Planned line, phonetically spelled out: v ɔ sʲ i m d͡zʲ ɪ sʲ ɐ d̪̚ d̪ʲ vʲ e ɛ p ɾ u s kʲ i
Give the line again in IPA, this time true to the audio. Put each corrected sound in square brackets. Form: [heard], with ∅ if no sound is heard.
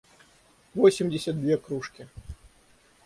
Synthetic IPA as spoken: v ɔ sʲ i m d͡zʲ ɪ sʲ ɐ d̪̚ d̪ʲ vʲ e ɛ [k] ɾ u [ʂ] kʲ i